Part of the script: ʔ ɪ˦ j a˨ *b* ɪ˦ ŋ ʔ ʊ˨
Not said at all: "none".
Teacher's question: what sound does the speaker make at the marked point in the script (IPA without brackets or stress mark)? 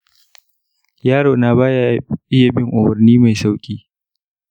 b